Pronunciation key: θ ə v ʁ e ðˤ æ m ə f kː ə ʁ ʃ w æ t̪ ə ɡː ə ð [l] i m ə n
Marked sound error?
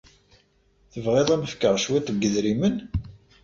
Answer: yes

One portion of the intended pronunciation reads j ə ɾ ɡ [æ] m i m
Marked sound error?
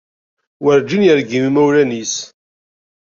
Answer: yes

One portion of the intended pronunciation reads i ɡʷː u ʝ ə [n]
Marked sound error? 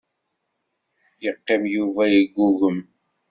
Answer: yes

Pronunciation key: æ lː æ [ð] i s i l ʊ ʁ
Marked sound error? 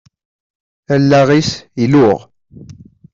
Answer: yes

